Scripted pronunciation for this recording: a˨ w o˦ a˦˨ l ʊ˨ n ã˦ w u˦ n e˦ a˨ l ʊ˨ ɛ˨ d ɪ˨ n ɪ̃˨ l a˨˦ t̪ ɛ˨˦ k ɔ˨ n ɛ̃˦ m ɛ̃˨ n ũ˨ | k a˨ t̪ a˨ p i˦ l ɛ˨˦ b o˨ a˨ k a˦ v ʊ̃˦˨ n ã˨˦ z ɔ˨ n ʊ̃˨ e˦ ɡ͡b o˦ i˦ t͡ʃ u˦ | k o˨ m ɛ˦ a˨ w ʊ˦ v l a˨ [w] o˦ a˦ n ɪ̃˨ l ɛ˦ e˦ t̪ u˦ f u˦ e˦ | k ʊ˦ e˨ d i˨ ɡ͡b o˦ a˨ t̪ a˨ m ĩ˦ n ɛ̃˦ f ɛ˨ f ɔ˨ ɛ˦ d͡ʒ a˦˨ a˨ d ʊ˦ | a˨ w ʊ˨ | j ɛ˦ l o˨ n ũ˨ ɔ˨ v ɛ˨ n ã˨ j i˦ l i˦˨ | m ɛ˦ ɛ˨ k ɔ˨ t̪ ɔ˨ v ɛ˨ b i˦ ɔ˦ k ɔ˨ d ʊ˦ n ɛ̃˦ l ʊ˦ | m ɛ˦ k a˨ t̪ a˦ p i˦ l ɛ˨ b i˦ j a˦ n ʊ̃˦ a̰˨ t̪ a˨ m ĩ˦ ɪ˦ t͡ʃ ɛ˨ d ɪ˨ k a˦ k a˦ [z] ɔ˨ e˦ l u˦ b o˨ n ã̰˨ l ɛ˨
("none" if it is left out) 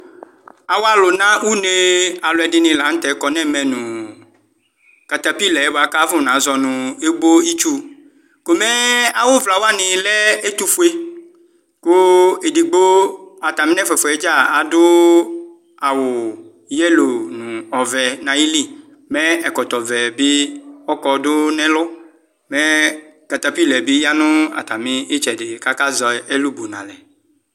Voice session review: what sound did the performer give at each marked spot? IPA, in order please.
w, z

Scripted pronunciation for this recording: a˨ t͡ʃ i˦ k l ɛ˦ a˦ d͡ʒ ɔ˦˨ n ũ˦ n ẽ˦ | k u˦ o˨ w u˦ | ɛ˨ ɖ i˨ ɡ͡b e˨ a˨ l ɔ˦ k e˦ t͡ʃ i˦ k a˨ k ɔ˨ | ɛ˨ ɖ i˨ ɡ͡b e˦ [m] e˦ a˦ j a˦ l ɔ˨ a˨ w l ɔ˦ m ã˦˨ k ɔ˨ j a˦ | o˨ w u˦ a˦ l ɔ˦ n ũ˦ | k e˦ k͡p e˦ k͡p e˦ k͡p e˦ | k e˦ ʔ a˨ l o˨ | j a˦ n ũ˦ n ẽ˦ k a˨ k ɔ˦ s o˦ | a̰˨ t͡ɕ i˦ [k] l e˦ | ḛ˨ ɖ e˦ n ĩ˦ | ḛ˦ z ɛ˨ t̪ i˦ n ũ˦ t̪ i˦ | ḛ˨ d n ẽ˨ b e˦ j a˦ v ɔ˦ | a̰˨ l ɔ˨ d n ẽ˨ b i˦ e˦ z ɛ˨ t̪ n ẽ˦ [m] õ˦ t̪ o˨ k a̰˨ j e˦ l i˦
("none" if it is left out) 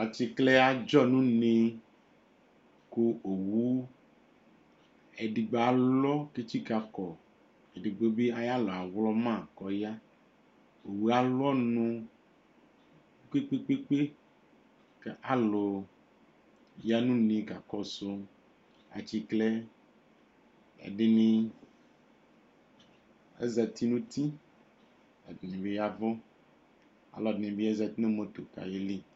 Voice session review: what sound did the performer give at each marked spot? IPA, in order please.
b, k, m

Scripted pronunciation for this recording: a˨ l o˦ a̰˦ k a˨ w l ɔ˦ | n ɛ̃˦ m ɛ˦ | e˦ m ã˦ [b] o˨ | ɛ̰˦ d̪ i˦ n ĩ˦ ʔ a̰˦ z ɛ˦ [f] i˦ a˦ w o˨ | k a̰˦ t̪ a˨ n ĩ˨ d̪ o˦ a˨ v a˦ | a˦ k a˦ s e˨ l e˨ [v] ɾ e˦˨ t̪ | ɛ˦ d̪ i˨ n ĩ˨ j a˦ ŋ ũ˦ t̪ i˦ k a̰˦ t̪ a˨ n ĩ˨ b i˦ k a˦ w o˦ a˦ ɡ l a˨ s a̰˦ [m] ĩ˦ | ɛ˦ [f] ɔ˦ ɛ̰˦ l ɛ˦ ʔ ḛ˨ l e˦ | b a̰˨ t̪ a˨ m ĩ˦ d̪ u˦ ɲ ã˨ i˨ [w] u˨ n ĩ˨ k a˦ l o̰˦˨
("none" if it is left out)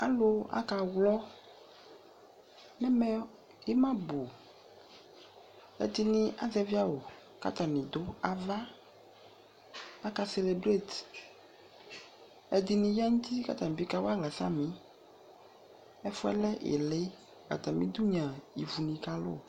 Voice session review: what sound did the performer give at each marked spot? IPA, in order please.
b, v, b, m, f, v

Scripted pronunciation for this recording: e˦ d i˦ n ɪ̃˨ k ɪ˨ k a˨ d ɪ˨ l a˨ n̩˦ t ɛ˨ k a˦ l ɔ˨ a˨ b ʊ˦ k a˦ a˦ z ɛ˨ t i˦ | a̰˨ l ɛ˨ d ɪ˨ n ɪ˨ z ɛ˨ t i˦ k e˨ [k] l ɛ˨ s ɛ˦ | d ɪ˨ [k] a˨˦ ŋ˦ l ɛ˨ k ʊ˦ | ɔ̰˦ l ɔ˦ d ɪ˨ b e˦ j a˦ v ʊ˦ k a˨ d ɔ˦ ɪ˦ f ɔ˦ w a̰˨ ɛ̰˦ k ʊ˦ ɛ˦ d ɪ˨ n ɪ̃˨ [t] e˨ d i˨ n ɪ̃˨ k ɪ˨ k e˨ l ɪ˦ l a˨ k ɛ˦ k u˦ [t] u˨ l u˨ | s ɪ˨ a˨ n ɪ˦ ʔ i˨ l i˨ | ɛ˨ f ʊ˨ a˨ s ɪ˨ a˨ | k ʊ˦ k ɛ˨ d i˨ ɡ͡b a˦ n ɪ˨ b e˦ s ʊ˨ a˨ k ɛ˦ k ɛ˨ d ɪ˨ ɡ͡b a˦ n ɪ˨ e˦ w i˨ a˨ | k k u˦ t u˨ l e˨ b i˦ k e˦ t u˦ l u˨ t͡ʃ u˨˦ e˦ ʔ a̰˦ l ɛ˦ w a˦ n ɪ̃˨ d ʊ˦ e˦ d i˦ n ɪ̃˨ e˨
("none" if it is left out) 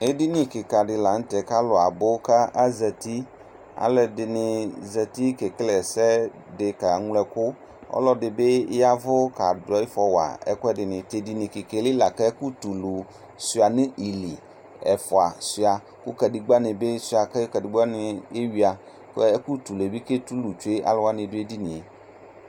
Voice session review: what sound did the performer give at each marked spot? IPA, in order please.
k, k, t, t

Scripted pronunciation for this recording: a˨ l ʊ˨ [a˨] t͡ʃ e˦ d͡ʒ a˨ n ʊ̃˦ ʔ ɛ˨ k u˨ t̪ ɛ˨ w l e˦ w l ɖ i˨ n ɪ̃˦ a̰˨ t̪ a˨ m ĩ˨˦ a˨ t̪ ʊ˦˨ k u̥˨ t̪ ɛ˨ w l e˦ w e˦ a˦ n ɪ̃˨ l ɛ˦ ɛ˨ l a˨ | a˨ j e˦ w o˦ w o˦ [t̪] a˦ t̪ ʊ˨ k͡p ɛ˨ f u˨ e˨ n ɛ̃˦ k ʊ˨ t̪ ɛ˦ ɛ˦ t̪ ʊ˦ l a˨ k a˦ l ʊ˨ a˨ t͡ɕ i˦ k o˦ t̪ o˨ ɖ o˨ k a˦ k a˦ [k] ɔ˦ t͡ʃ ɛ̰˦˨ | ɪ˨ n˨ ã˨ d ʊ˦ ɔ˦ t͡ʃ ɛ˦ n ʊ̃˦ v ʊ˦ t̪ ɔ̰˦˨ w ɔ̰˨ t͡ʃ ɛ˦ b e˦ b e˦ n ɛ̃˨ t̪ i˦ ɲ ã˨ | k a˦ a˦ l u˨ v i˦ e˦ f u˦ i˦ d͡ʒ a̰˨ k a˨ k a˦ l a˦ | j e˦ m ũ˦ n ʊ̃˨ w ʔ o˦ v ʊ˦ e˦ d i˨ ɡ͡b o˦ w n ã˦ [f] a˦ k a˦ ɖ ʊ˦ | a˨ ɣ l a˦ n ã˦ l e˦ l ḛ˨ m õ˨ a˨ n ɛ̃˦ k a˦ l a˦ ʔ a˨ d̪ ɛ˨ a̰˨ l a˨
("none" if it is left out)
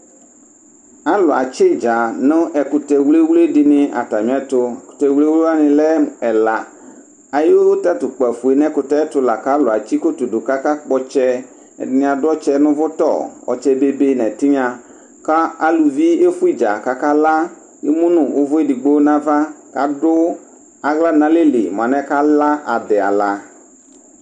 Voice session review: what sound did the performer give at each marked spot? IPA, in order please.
a˨, t̪, k͡p, v

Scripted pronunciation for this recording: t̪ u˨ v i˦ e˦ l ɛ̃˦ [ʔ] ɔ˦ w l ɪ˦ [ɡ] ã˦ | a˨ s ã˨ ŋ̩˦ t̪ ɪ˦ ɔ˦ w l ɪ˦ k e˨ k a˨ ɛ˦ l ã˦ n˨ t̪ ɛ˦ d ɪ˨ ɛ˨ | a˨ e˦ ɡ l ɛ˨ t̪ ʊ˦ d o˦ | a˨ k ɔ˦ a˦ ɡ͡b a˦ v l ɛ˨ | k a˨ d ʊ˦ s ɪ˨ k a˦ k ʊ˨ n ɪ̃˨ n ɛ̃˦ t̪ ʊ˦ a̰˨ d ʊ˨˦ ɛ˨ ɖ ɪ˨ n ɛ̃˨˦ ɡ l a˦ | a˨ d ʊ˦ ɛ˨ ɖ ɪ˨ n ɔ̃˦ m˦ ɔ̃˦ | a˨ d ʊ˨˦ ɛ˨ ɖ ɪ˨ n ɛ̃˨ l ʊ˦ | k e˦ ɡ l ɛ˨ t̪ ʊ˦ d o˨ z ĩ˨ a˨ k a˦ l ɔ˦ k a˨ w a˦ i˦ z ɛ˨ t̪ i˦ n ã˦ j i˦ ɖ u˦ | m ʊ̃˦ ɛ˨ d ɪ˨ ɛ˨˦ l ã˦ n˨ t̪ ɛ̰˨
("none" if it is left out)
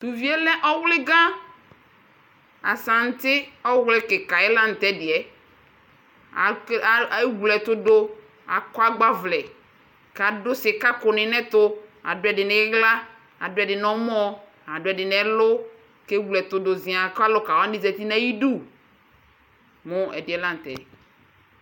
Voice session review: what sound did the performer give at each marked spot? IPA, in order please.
ʔ, ɡ

